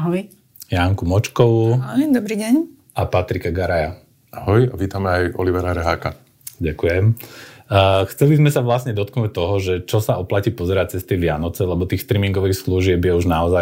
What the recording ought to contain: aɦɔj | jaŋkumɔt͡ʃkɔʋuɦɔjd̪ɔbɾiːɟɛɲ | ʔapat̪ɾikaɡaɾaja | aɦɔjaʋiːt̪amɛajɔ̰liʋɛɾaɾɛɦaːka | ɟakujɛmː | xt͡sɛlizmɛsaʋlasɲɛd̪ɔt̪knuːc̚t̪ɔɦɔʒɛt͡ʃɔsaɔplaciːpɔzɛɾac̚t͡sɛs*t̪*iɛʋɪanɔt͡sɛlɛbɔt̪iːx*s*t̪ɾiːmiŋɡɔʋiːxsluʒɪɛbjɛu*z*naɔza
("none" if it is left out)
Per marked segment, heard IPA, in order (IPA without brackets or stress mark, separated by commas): t̪, s, ʒ